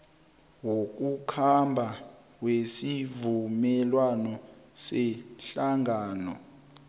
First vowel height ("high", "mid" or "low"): mid